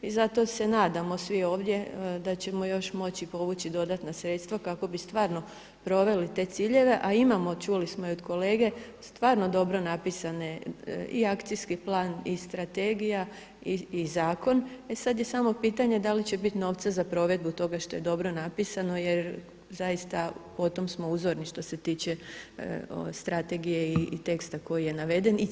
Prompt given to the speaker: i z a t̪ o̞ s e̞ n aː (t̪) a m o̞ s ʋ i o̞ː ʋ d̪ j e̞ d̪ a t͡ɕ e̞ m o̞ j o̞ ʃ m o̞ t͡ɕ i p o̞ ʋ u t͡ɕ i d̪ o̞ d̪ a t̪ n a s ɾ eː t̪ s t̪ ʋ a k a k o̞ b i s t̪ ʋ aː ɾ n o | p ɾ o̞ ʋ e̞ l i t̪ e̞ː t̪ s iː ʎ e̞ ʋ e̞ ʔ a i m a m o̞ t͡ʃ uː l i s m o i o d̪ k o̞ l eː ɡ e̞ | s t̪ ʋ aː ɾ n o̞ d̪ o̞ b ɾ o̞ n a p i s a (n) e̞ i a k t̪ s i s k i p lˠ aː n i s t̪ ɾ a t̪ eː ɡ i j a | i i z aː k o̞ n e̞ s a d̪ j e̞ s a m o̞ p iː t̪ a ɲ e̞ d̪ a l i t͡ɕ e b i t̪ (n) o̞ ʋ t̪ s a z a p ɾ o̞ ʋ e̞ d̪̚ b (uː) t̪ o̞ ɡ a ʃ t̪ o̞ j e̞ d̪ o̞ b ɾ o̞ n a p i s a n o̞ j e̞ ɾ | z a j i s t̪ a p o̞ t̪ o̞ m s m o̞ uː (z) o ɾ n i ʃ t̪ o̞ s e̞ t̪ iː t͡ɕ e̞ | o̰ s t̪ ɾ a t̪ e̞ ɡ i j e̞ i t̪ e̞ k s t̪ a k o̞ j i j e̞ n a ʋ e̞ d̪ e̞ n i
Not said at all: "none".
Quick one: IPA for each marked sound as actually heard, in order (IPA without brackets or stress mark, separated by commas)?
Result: d̪, n, n, u, z